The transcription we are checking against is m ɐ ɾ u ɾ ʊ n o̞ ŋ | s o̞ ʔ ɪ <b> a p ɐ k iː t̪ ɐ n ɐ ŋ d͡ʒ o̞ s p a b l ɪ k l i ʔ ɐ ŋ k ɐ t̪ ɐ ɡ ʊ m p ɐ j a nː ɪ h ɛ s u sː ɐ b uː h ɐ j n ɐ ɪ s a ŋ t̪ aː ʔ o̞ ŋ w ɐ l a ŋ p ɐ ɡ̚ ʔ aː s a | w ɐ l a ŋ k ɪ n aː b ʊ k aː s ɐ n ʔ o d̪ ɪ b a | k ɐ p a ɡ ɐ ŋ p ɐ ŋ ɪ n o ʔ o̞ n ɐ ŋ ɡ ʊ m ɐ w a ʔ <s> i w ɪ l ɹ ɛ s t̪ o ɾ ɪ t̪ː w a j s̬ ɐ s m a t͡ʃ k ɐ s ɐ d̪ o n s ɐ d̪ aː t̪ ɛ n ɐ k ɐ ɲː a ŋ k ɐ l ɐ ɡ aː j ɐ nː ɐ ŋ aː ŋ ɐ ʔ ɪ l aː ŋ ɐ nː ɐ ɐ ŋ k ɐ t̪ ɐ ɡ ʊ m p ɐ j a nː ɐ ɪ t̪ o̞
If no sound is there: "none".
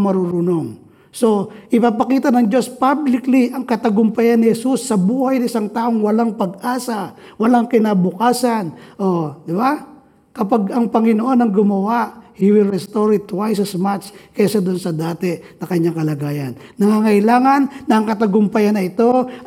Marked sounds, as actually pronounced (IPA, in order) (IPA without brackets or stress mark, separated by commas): p, h